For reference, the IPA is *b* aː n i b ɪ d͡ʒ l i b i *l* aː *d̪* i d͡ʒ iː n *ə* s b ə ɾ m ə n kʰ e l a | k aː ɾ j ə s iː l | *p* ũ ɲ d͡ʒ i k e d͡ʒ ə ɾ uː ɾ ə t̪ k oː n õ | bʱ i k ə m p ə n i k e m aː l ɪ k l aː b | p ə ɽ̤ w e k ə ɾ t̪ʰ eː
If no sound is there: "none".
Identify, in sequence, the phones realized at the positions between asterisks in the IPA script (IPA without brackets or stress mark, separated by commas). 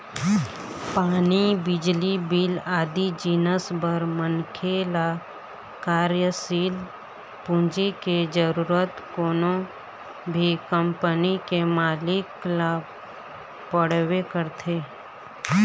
p, l, d̪, ə, p